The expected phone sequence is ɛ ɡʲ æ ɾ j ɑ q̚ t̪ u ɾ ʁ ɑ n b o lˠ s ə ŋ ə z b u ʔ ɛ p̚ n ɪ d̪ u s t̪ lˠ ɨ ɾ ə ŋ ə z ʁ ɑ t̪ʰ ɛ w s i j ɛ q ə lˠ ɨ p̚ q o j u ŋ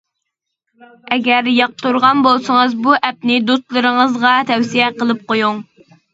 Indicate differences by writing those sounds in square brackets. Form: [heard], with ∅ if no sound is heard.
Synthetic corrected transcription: ɛ ɡʲ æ ɾ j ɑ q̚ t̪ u ɾ ʁ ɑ n b o lˠ s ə ŋ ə z b u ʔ ɛ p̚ n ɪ d̪ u s t̪ lˠ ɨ ɾ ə ŋ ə z ʁ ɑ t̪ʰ ɛ w s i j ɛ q ə lˠ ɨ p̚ q o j u ŋ